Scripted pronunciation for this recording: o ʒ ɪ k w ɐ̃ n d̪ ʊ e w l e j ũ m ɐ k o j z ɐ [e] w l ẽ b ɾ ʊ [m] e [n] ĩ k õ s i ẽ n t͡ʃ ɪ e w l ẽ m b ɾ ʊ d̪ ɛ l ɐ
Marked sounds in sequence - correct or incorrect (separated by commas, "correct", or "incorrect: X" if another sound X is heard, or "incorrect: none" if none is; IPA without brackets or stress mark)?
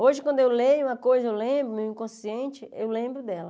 correct, correct, incorrect: none